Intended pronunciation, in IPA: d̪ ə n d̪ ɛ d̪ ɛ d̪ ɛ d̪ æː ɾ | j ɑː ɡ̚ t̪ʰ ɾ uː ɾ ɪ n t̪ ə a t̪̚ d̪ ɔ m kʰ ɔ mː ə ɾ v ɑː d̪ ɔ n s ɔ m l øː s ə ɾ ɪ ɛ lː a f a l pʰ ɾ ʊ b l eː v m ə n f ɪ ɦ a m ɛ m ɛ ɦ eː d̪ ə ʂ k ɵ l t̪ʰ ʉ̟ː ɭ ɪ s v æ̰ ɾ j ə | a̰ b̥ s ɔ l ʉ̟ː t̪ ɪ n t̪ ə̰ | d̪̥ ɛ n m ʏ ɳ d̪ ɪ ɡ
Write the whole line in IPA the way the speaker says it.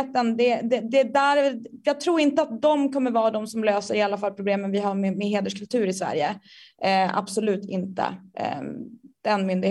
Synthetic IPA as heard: t̪ ə n d̪ ɛ d̪ ɛ d̪ ɛ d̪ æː ɾ | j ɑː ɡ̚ t̪ʰ ɾ uː ɾ ɪ n t̪ ə a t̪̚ d̪ ɔ m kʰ ɔ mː ə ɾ v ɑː d̪ ɔ m s ɔ m l øː s ə ɾ ɪ a lː a f a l pʰ ɾ ʊ b l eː m ə n v ɪ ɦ a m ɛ m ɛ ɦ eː d̪ ə ʂ k ɵ l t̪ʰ ʉ̟ː ɾ ɪ s v æ̰ ɾ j ə | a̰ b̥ s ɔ l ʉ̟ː t̪ ɪ n t̪ ə̰ | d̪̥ ɛ n m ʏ n d̪ ɪ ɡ